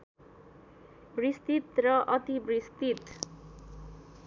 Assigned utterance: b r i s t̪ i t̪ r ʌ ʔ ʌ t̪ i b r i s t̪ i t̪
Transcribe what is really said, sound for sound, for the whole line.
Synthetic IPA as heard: b r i s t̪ i t̪ r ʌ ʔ ʌ t̪ i b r i s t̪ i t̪

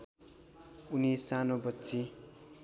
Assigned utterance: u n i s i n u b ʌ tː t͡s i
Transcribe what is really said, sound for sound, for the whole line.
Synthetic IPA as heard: u n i s a n o b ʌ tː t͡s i

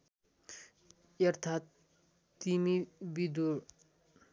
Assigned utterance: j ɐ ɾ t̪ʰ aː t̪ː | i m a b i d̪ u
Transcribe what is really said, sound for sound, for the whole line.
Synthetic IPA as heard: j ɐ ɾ t̪ʰ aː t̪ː | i m i b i d̪ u

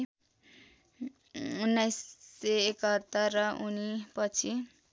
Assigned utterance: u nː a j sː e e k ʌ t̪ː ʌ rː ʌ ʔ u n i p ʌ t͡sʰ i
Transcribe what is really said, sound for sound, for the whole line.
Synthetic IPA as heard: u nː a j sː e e k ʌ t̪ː ʌ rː ʌ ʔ u n i p ʌ t͡sʰ i

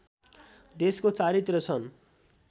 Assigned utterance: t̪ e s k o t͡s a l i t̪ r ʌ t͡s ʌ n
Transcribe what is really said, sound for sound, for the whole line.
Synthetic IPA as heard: d̪ e s k o t͡s a ɾ i t̪ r ʌ t͡sʰ ʌ n

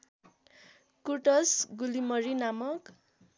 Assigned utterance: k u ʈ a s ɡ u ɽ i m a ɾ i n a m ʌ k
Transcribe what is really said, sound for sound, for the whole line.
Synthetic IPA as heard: k u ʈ ʌ s ɡ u l i m ʌ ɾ i n a m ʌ k

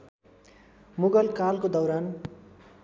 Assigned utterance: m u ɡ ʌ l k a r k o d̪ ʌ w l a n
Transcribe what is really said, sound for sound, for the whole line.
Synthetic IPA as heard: m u ɡ ʌ l k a l k o d̪ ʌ w ɾ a n

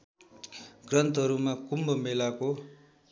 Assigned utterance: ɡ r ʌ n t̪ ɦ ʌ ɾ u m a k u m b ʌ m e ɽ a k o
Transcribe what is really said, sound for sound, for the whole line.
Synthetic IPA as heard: ɡ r ʌ n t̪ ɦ ʌ ɾ u m a k u m b ʌ m e l a k o

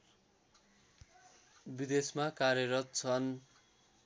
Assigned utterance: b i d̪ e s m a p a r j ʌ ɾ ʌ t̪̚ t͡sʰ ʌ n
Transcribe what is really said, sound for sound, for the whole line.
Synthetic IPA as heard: b i d̪ e s m a k a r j ʌ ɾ ʌ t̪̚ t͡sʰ ʌ n

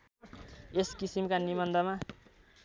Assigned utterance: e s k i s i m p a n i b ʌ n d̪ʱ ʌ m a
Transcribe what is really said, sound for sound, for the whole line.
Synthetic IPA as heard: e s k i s i m k a n i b ʌ n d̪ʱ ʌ m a

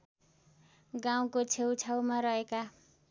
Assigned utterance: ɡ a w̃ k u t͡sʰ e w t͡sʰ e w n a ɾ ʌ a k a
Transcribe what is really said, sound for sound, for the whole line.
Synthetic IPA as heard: ɡ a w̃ k o t͡sʰ e w t͡sʰ a w m a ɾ ʌ e k a

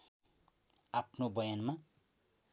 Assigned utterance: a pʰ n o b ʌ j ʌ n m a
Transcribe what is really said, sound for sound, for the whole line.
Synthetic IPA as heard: a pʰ n o b ʌ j a n m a

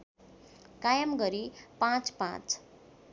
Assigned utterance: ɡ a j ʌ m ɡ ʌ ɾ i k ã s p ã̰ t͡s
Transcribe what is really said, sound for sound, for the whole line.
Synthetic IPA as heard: k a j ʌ m ɡ ʌ ɾ i p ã t͡s p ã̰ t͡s

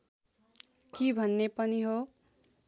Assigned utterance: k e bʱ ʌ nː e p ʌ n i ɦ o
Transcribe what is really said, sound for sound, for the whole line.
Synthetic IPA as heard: k i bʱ ʌ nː e p ʌ n i ɦ o

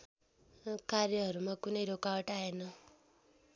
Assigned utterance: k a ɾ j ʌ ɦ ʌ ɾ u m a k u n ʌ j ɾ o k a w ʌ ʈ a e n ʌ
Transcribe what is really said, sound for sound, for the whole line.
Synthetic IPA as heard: k a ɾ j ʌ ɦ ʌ ɾ u m a k u n ʌ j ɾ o k a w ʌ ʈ a e n ʌ

